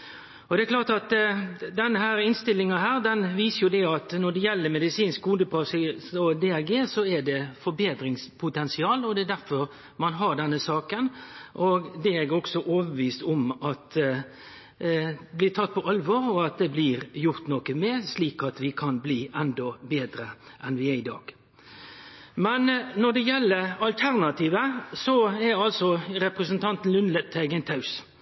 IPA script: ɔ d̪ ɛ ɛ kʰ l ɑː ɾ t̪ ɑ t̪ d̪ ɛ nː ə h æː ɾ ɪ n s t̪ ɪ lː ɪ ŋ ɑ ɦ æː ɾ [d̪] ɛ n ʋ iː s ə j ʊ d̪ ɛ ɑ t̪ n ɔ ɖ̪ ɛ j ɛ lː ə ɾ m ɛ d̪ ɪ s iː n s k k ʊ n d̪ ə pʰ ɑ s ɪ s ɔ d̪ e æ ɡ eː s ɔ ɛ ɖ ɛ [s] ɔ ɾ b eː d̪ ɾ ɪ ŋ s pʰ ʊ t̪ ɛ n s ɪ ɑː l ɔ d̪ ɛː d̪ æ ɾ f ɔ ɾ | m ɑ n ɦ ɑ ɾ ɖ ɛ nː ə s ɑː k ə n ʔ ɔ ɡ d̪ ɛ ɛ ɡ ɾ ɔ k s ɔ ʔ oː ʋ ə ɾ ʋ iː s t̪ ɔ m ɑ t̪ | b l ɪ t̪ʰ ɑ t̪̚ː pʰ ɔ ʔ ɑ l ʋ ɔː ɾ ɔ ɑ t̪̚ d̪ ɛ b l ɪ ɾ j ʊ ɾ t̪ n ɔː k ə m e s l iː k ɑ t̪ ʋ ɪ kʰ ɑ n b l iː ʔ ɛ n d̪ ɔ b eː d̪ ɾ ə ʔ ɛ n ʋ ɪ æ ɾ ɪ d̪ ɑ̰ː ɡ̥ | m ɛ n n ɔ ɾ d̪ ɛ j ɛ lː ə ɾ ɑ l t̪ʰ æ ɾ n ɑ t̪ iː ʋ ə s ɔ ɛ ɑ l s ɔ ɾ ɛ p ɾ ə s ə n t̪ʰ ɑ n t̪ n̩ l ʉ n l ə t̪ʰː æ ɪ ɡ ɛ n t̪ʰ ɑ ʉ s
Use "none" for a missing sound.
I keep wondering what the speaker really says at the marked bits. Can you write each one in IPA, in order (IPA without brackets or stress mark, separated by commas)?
d̪, f